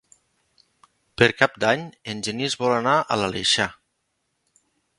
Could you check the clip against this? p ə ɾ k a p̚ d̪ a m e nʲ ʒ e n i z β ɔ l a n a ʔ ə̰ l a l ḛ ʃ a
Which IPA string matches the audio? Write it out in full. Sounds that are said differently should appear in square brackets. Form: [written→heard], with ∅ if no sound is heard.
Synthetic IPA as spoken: p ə ɾ k a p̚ d̪ a [m→ɲ] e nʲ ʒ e n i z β ɔ l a n a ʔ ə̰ l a l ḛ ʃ a